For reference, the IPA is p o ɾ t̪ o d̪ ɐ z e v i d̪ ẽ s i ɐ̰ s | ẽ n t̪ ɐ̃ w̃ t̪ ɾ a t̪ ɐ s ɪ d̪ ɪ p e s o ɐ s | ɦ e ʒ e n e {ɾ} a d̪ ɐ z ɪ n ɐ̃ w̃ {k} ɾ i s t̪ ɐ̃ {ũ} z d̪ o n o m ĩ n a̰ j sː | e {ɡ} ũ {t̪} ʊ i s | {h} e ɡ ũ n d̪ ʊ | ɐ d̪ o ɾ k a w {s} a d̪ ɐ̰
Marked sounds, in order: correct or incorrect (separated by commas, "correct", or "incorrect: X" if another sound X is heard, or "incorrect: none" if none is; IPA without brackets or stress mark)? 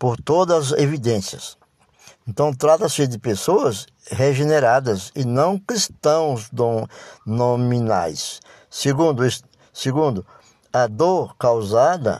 correct, correct, incorrect: w̃, correct, incorrect: d̪, incorrect: s, incorrect: z